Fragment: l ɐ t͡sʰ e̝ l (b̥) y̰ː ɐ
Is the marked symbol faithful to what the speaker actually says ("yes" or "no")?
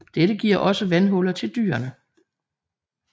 no